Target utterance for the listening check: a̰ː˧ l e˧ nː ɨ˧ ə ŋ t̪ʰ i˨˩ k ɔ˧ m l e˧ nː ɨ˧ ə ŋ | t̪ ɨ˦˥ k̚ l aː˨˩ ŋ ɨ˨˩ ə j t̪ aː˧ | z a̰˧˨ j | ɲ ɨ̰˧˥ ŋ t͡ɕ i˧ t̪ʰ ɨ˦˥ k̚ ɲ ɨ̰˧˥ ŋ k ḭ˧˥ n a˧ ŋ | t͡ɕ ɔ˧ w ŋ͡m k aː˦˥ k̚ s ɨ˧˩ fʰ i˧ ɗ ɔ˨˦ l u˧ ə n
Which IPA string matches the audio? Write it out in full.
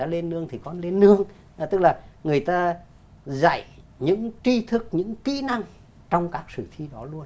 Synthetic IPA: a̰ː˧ l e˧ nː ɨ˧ ə ŋ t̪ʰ i˨˩ k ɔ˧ n l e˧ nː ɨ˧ ə ŋ | t̪ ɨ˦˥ k̚ l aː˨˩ ŋ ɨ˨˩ ə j t̪ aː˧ | z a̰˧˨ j | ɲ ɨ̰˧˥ ŋ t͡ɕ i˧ t̪ʰ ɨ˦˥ k̚ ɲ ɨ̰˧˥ ŋ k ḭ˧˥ n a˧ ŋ | t͡ɕ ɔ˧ w ŋ͡m k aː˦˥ k̚ s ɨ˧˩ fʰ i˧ ɗ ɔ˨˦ l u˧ ə n